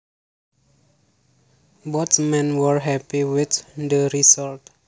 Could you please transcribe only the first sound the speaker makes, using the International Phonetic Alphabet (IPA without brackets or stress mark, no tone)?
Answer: b